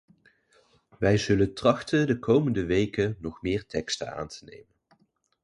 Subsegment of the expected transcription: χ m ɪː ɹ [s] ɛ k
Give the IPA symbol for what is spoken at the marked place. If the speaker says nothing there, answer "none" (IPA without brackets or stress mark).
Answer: t